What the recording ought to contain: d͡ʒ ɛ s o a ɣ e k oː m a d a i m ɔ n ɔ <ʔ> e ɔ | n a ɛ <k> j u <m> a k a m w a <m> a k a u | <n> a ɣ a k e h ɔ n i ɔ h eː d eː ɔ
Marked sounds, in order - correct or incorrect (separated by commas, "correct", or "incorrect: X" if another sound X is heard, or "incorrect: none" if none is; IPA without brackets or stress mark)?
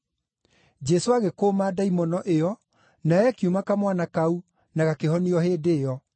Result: correct, correct, correct, incorrect: n, correct